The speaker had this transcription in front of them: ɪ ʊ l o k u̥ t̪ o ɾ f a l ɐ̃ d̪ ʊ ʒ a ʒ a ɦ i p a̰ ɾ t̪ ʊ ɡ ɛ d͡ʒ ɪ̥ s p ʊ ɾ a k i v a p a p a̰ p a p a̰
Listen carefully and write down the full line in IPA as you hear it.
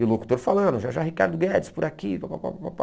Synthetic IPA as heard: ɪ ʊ l o k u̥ t̪ o ɾ f a l ɐ̃ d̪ ʊ ʒ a ʒ a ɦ i k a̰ ɾ d̪ ʊ ɡ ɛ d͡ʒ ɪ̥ s p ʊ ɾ a k i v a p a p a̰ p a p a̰